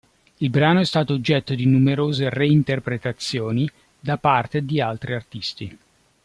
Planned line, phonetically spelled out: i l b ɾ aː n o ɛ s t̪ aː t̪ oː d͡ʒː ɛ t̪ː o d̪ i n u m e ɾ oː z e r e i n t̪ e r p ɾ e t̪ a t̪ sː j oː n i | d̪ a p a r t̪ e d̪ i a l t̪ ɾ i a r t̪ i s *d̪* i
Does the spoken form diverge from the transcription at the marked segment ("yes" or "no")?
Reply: yes